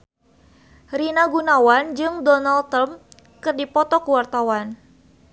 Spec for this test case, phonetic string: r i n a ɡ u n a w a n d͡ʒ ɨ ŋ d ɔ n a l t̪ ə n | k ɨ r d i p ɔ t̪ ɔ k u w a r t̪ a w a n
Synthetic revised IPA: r i n a ɡ u n a w a n d͡ʒ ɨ ŋ d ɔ n a l t̪ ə m | k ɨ r d i p ɔ t̪ ɔ k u w a r t̪ a w a n